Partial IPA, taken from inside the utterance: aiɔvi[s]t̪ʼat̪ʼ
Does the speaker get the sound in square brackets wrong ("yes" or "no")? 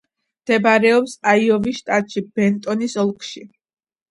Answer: yes